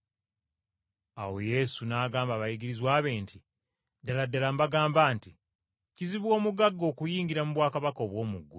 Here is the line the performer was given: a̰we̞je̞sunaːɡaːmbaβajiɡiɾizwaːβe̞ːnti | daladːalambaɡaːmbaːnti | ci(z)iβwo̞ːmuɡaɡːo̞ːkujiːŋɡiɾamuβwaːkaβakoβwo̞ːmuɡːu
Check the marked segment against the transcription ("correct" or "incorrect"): correct